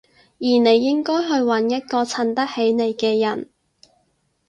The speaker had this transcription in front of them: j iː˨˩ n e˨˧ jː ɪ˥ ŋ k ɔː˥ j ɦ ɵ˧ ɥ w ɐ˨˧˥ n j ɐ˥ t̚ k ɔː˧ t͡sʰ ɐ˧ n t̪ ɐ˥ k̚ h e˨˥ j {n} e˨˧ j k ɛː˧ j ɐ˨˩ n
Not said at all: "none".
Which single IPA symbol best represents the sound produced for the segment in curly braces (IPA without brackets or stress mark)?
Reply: n